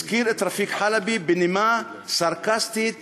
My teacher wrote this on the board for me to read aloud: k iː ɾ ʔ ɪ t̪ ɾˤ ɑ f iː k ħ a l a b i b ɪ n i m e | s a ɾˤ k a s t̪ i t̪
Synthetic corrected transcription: k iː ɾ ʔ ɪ t̪ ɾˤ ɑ f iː k ħ a l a b i b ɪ n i m a | s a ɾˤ k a s t̪ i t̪